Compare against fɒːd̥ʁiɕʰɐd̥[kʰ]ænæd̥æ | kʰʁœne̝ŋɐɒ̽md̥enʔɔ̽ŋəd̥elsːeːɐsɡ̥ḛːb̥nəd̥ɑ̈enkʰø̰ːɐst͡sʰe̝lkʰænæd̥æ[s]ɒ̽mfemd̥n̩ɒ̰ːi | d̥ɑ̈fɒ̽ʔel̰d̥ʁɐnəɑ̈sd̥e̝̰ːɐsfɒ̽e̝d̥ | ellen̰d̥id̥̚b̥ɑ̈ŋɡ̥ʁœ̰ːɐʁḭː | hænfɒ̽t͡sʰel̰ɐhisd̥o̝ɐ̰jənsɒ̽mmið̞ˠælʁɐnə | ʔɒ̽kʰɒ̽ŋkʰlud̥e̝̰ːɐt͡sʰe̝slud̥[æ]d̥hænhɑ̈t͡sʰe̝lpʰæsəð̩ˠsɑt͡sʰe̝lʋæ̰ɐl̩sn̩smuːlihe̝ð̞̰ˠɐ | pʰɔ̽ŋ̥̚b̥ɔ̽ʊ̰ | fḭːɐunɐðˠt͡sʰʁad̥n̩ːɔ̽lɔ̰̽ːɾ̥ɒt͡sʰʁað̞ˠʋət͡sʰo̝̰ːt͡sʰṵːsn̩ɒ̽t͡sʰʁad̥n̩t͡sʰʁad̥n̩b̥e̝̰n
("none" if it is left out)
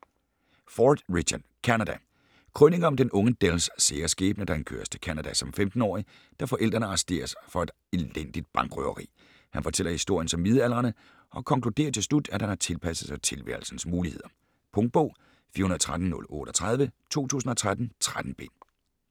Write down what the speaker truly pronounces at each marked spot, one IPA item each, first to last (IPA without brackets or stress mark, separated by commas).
kʰ, s, æ